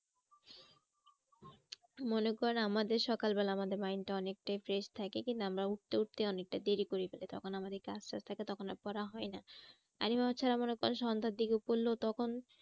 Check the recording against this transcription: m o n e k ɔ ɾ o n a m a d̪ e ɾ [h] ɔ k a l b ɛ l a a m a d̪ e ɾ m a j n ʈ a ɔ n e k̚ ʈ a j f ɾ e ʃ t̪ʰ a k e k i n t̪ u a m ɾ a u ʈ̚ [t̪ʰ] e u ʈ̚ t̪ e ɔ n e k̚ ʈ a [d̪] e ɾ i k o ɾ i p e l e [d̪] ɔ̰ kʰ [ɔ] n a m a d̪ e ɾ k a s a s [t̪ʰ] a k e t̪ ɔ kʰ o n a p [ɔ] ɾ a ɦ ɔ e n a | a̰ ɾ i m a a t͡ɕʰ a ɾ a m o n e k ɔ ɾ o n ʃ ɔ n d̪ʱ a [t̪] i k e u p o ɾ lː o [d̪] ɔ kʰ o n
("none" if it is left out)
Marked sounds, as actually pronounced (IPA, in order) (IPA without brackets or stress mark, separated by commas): ʃ, t̪, d̪, t̪, o, t̪ʰ, ɔ, d̪, t̪